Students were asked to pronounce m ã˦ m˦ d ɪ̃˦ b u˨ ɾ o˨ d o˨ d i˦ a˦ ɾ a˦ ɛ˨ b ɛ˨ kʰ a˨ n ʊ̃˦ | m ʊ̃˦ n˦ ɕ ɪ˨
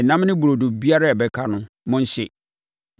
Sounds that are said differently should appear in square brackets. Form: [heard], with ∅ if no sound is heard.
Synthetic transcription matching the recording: [n] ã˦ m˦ [n] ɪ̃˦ b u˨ ɾ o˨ d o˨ [b] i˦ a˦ ɾ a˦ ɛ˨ b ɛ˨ kʰ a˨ n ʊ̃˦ | m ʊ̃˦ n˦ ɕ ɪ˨